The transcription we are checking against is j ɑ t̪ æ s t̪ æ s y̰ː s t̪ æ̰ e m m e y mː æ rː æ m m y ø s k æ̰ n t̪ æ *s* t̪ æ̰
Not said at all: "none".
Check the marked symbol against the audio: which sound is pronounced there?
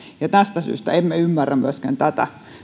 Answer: none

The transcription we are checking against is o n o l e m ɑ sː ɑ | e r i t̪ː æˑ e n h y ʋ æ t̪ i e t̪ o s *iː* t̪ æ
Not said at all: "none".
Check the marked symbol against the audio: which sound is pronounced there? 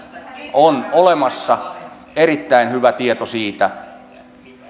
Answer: iː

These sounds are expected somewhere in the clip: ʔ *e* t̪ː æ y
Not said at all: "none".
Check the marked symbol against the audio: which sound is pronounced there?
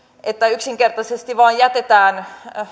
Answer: e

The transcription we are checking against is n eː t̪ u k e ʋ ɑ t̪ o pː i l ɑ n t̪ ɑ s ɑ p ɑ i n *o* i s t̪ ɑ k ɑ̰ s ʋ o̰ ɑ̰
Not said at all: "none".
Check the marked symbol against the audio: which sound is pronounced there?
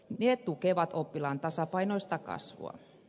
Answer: o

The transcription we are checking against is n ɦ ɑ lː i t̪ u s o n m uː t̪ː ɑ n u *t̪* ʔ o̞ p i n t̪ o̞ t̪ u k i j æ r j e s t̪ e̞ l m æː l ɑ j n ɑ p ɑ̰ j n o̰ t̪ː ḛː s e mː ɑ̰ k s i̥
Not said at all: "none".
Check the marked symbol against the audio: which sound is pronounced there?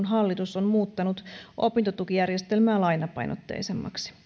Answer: t̪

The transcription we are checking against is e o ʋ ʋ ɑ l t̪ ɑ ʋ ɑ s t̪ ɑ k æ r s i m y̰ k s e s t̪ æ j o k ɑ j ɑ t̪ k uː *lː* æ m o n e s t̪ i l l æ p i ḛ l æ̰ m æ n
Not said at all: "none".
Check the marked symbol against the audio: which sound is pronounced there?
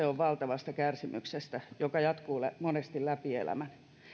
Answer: l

